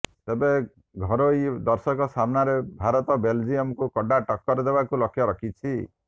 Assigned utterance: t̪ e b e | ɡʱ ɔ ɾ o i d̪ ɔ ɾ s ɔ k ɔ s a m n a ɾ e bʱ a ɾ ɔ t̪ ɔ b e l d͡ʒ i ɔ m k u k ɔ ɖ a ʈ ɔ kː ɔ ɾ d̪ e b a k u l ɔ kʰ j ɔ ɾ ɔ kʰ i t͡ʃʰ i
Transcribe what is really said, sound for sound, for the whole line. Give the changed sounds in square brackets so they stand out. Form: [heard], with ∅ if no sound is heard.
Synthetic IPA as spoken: t̪ e b e | ɡʱ ɔ ɾ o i d̪ ɔ ɾ s ɔ k ɔ s a m n a ɾ e bʱ a ɾ ɔ t̪ ɔ b e l d͡ʒ i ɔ m k u k ɔ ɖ a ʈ ɔ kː ɔ ɾ d̪ e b a k u l ɔ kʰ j ɔ ɾ ɔ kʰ i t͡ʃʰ i

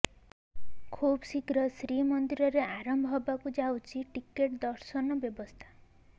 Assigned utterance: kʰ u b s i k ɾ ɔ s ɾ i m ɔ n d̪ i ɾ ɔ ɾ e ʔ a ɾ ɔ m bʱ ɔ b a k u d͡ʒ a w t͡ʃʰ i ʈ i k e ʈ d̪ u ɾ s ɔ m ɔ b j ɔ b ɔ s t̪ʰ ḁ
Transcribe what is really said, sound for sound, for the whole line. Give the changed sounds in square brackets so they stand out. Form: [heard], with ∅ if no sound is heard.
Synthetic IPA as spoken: kʰ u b s i k ɾ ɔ s ɾ i m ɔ n d̪ i ɾ ɔ ɾ e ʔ a ɾ ɔ m bʱ ɔ b a k u d͡ʒ a w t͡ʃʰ i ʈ i k e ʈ d̪ [ɔ] ɾ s ɔ [n] ɔ b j ɔ b ɔ s t̪ʰ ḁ

